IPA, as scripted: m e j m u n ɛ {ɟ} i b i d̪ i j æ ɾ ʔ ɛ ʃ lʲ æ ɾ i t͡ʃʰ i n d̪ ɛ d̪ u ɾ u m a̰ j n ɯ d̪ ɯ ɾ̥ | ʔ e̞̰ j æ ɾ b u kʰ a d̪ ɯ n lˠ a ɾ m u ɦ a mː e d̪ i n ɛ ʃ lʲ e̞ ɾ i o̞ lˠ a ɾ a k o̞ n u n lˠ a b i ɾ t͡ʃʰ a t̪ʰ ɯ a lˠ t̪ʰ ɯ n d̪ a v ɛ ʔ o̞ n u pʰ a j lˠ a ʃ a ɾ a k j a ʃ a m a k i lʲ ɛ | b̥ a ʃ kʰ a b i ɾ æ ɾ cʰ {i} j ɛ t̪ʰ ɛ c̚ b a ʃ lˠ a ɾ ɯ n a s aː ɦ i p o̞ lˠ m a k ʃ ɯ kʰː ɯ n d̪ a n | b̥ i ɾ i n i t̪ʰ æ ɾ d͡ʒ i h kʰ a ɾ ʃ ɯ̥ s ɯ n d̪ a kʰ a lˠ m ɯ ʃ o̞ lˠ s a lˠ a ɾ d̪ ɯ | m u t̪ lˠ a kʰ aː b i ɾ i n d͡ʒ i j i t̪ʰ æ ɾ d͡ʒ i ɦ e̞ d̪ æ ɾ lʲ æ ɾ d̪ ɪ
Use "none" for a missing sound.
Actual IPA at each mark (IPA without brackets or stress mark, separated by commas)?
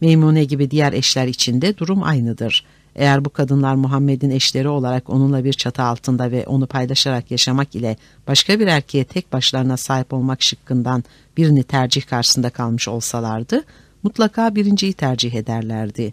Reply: ɟ, e